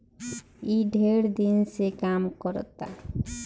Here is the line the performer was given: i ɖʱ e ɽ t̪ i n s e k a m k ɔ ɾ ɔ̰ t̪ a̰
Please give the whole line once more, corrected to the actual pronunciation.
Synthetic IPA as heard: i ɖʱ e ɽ d̪ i n s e k a m k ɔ ɾ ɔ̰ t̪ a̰